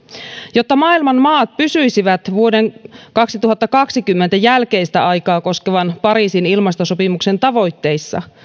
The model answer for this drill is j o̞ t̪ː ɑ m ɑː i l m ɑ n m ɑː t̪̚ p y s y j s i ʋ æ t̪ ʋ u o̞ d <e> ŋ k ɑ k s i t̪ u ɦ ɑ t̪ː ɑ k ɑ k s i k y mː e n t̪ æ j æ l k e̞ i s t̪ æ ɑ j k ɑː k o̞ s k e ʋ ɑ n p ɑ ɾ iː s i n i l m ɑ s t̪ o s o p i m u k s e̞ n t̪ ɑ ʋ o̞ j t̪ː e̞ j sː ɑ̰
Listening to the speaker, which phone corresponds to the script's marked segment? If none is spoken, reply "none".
e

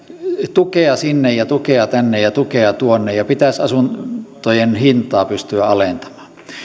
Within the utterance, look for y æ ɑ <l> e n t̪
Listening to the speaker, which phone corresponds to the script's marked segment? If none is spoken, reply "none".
l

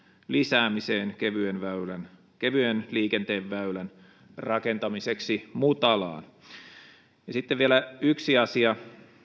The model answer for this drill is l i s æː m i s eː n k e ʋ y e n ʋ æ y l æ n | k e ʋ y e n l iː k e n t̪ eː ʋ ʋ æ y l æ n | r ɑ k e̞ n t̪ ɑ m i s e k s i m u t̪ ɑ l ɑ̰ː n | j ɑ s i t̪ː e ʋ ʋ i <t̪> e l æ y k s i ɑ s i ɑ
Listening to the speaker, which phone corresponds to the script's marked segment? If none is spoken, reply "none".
none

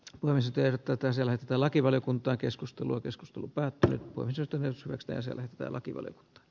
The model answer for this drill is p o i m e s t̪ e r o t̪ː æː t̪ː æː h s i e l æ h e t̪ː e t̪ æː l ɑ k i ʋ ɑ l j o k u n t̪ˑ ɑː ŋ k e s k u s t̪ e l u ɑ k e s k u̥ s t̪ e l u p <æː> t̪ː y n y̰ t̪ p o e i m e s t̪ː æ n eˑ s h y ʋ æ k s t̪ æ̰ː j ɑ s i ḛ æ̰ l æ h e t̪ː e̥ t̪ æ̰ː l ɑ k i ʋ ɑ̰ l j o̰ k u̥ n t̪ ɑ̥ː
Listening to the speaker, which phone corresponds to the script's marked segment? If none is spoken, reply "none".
æː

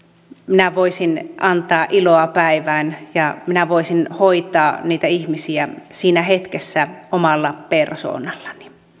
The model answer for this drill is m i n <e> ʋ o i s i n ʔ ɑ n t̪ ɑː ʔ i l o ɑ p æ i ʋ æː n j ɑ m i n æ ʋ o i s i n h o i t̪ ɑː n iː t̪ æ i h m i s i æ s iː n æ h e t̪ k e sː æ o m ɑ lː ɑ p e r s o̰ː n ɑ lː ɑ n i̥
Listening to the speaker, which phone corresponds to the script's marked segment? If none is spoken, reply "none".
æ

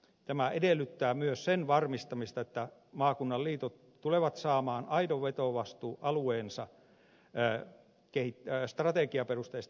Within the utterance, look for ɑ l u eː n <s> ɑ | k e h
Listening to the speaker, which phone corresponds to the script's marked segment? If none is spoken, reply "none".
s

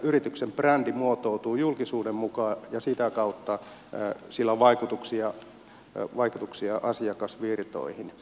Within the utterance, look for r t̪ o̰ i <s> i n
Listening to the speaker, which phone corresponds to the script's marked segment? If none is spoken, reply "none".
h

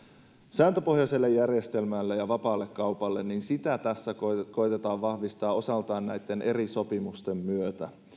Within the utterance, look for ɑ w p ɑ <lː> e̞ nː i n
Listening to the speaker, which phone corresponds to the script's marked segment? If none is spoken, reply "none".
lː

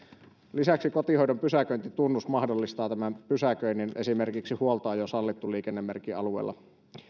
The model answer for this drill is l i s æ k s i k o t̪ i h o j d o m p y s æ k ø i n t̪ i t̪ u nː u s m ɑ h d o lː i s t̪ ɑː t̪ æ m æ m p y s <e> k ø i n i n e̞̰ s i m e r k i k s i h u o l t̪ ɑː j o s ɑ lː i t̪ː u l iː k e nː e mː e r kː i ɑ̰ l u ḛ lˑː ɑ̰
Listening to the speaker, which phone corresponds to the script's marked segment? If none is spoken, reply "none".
æ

